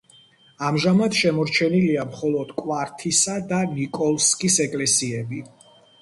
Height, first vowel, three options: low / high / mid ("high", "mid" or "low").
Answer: low